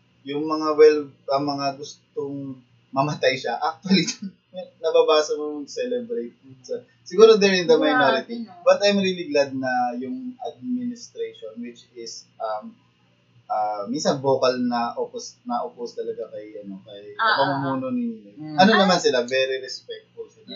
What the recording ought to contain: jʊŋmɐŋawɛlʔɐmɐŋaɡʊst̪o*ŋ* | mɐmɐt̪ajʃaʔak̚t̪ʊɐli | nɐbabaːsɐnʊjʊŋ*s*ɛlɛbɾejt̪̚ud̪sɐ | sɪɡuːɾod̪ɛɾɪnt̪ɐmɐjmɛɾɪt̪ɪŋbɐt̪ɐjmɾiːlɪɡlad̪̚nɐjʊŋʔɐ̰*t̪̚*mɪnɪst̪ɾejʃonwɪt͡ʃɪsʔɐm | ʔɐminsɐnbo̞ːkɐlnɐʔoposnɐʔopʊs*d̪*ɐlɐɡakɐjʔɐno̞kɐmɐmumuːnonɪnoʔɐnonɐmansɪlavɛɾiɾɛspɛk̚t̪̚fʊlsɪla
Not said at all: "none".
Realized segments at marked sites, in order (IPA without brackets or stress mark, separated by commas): ŋ, s, d̪̚, t̪